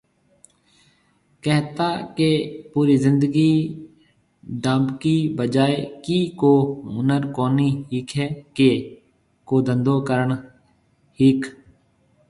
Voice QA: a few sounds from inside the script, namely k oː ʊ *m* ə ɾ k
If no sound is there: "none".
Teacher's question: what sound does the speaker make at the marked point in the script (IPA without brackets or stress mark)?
n